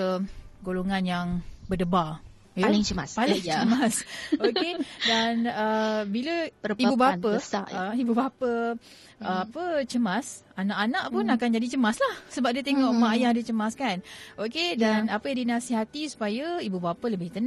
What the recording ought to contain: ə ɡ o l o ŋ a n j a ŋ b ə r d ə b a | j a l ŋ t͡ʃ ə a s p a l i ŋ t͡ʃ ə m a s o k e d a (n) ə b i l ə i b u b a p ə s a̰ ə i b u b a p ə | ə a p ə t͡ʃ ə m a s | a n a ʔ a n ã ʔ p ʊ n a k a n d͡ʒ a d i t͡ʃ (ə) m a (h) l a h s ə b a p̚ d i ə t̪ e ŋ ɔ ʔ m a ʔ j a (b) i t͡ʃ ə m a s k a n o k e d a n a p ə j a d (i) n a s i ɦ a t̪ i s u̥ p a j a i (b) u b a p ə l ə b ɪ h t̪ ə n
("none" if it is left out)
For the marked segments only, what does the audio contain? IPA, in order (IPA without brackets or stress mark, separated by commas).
n, ə, s, d, i, b